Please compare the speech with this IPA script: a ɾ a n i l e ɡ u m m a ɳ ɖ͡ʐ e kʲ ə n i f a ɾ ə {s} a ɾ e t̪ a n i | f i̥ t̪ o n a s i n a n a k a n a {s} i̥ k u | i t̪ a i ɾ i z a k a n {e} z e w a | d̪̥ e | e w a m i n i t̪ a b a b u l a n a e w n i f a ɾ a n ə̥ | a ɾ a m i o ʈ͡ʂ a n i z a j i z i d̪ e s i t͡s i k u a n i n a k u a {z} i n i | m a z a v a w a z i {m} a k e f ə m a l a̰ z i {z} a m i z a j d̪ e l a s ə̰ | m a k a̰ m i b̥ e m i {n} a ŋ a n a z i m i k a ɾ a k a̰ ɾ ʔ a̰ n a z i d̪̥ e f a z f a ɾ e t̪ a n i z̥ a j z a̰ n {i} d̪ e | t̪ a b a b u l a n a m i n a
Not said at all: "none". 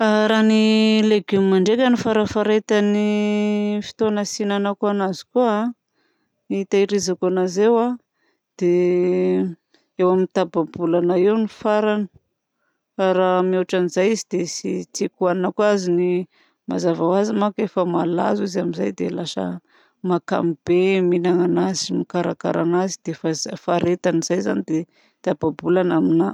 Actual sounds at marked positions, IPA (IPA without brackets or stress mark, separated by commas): f, z, a, z, m, z, n, i